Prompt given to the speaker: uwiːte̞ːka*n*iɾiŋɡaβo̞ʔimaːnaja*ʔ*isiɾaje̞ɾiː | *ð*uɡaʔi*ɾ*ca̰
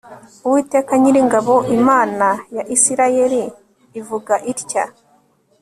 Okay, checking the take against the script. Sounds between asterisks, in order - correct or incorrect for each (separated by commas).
incorrect, correct, incorrect, correct